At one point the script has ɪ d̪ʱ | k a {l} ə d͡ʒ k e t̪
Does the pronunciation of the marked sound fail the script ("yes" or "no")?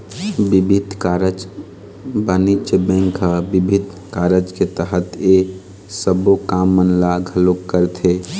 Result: yes